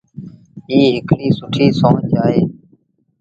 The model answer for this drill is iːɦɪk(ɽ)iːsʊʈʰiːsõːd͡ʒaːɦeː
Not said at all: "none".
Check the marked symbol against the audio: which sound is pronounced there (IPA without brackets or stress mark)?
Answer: l